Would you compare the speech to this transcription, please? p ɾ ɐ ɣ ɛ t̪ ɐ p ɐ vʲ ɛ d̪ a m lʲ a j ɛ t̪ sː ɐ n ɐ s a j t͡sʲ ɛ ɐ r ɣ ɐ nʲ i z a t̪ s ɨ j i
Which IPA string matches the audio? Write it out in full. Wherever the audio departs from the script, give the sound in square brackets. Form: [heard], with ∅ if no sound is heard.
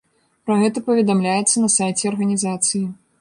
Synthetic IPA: p ɾ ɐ ɣ ɛ t̪ ɐ p ɐ vʲ ɛ d̪ a m lʲ a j ɛ t̪ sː ɐ n ɐ s a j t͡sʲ ɛ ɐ r ɣ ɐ nʲ i z a t̪ s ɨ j i

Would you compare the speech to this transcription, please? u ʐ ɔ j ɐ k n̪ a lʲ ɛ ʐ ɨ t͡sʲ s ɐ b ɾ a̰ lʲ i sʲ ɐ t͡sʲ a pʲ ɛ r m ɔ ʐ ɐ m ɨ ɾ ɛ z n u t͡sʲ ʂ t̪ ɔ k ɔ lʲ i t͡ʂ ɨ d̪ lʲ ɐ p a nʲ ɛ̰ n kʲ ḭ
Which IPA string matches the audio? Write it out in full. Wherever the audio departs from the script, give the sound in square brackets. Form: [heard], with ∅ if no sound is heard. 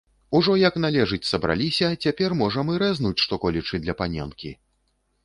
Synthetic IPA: u ʐ ɔ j ɐ k n̪ a lʲ ɛ ʐ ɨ t͡sʲ s ɐ b ɾ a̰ lʲ i sʲ ɐ t͡sʲ a pʲ ɛ r m ɔ ʐ ɐ m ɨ ɾ ɛ z n u t͡sʲ ʂ t̪ ɔ k ɔ lʲ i t͡ʂ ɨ d̪ lʲ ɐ p a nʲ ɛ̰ n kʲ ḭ

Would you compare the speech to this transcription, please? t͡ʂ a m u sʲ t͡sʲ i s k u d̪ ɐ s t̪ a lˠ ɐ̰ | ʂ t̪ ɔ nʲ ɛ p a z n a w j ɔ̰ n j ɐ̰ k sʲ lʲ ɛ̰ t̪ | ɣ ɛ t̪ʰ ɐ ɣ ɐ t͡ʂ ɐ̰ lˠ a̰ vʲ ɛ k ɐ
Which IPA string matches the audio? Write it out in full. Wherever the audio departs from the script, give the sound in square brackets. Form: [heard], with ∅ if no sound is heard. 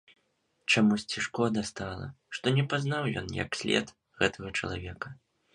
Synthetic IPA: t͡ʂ a m u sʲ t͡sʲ i [ʂ] k [ɔ] d̪ ɐ s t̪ a lˠ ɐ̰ | ʂ t̪ ɔ nʲ ɛ p a z n a w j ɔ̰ n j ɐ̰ k sʲ lʲ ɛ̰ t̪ | ɣ ɛ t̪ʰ ɐ ɣ ɐ t͡ʂ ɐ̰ lˠ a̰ vʲ ɛ k ɐ

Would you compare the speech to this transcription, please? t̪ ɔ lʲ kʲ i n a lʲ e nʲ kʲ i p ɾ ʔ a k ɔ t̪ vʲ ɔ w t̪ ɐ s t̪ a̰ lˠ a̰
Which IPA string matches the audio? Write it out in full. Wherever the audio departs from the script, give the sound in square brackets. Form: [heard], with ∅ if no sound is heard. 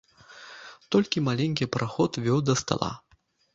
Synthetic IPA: t̪ ɔ lʲ kʲ i [m] a lʲ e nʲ kʲ i p ɾ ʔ a [x] ɔ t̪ vʲ ɔ w [d̪] ɐ s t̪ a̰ lˠ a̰

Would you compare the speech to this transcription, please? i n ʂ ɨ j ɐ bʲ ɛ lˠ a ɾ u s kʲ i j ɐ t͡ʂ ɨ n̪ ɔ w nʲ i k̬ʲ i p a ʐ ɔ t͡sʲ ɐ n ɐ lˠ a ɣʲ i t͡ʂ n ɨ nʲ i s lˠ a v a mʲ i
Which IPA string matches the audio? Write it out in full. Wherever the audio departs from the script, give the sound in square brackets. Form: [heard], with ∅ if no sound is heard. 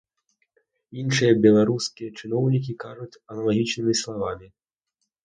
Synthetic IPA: i n ʂ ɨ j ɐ bʲ ɛ lˠ a ɾ u s kʲ i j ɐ t͡ʂ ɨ n̪ ɔ w nʲ i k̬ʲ i [k] a ʐ [u] t͡sʲ ɐ n ɐ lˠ a ɣʲ i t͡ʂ n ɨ [mʲ] i s lˠ a v a mʲ i

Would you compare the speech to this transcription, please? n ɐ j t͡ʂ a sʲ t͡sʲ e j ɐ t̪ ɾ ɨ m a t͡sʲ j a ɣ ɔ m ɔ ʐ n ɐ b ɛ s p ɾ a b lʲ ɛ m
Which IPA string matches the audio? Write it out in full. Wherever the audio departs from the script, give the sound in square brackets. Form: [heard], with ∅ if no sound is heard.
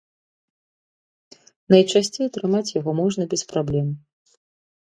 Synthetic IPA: n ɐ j t͡ʂ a sʲ t͡sʲ e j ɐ t̪ ɾ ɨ m a t͡sʲ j a ɣ ɔ m ɔ ʐ n ɐ b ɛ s p ɾ a b lʲ ɛ m

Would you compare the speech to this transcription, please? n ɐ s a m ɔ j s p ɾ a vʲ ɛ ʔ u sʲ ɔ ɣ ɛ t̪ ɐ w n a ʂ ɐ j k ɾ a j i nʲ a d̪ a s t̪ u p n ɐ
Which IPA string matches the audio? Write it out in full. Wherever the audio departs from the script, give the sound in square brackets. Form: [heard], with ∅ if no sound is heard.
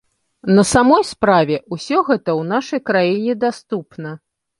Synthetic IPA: n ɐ s a m ɔ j s p ɾ a vʲ ɛ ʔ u sʲ ɔ ɣ ɛ t̪ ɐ w n a ʂ ɐ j k ɾ a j i nʲ [ɛ] d̪ a s t̪ u p n ɐ

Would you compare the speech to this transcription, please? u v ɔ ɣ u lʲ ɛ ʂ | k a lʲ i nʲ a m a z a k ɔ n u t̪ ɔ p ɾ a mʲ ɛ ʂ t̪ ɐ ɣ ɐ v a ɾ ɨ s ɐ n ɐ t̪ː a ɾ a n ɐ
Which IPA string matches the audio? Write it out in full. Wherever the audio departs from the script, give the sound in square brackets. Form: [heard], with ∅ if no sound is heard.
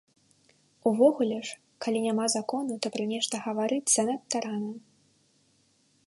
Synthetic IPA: u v ɔ ɣ u lʲ ɛ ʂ | k a lʲ i nʲ a m a z a k ɔ n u t̪ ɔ p ɾ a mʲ ɛ ʂ t̪ ɐ ɣ ɐ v a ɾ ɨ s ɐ n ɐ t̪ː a ɾ a n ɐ

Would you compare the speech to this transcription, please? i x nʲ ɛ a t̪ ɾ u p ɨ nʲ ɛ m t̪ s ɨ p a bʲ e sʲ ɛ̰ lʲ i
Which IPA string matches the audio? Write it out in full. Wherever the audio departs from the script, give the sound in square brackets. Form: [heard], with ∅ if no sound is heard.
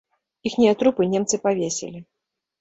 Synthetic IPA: i x nʲ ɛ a t̪ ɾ u p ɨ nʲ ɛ m t̪ s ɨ p a [vʲ] e sʲ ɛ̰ lʲ i

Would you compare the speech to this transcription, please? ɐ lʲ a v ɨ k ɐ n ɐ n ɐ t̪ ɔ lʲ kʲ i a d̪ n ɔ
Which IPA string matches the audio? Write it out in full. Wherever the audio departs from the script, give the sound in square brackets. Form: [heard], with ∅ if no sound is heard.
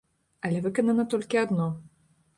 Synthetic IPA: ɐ lʲ [ɛ] v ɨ k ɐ n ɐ n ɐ t̪ ɔ lʲ kʲ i a d̪ n ɔ

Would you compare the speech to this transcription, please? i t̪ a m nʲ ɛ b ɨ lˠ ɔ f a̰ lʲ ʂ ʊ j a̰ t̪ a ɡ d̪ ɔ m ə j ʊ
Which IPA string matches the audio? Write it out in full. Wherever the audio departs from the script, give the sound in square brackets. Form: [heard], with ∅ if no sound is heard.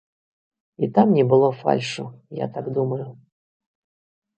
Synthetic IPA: i t̪ a m nʲ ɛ b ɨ lˠ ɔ f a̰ lʲ ʂ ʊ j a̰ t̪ a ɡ d̪ [u] m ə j ʊ

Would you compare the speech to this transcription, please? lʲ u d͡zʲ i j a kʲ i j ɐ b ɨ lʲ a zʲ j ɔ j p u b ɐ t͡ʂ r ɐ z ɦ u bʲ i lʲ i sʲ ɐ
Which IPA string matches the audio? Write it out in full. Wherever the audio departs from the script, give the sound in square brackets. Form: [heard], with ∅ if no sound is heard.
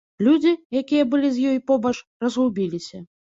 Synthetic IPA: lʲ u d͡zʲ i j a kʲ i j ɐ b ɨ lʲ [i] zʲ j ɔ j p [ɔ] b ɐ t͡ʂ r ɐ z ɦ u bʲ i lʲ i sʲ ɐ

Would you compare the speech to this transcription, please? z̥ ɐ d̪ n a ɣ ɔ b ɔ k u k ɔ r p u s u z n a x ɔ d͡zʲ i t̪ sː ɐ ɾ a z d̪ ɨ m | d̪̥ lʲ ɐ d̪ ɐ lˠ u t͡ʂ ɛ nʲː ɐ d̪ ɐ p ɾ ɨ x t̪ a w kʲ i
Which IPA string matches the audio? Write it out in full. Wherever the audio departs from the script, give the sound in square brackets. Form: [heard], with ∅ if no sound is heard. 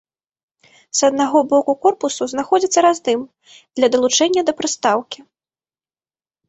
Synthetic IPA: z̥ ɐ d̪ n a ɣ ɔ b ɔ k u k ɔ r p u s u z n a x ɔ d͡zʲ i t̪ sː ɐ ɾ a z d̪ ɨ m | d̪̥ lʲ ɐ d̪ ɐ lˠ u t͡ʂ ɛ nʲː ɐ d̪ ɐ p ɾ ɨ [s] t̪ a w kʲ i

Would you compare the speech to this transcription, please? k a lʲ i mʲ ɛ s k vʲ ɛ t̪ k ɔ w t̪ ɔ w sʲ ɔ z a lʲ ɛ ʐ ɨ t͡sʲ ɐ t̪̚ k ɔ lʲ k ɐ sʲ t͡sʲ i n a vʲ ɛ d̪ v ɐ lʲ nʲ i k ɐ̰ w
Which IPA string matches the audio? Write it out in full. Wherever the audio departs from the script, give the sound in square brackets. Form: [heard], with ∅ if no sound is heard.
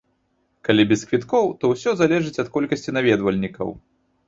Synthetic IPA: k a lʲ i [bʲ] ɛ s k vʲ [i] t̪ k ɔ w t̪ ɔ w sʲ ɔ z a lʲ ɛ ʐ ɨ t͡sʲ ɐ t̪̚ k ɔ lʲ k ɐ sʲ t͡sʲ i n a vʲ ɛ d̪ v ɐ lʲ nʲ i k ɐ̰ w

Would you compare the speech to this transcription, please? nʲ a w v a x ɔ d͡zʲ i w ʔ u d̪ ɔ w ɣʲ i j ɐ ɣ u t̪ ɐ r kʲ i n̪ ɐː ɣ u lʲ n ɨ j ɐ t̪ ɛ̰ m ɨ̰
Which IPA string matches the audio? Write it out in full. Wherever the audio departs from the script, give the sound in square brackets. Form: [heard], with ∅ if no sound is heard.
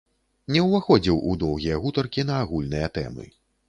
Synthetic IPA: nʲ [ɛ] w v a x ɔ d͡zʲ i w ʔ u d̪ ɔ w ɣʲ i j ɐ ɣ u t̪ ɐ r kʲ i n̪ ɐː ɣ u lʲ n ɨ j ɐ t̪ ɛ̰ m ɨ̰

